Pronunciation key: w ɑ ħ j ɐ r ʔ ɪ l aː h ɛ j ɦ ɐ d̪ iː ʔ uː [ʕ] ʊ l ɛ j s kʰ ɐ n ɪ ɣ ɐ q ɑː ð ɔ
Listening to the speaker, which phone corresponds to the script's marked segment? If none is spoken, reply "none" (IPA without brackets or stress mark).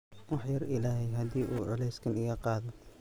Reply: ʕ